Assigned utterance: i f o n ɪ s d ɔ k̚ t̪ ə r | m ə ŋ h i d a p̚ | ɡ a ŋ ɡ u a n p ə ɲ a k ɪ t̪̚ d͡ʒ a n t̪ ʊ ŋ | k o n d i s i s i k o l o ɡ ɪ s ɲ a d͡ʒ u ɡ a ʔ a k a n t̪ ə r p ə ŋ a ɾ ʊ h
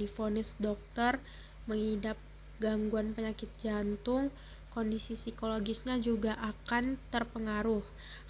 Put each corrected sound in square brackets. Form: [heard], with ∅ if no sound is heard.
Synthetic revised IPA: i f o n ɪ s d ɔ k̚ t̪ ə r | m ə ŋ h i d a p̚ | ɡ a ŋ ɡ u a n p ə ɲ a k ɪ t̪̚ d͡ʒ a n t̪ ʊ ŋ | k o n d i s i s i k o l o ɡ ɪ s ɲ a d͡ʒ u ɡ a ʔ a k a n t̪ ə r p ə ŋ a ɾ ʊ h